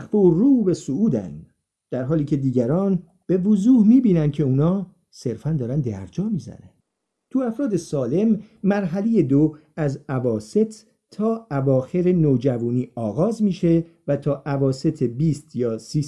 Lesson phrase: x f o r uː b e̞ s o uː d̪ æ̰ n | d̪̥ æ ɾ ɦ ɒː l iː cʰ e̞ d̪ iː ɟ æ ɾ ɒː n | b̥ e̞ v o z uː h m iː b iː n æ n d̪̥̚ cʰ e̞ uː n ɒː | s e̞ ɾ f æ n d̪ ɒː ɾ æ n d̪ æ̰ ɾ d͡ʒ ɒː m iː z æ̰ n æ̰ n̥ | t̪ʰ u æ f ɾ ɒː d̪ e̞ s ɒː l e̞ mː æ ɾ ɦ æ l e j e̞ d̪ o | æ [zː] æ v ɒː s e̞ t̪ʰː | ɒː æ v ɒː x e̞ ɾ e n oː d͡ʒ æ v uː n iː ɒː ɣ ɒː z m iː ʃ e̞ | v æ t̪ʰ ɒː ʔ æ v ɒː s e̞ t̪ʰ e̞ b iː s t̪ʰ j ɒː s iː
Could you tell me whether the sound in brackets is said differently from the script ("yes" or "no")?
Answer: yes